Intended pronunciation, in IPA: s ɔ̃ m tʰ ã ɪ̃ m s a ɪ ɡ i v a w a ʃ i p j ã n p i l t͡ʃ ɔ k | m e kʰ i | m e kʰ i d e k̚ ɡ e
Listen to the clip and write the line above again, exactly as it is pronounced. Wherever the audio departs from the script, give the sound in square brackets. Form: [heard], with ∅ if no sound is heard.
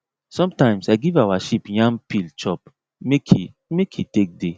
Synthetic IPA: s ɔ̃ m [t] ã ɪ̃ m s a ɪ ɡ i v a w a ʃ i p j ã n p i l t͡ʃ ɔ [p] | m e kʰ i | m e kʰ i [t] e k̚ [d] e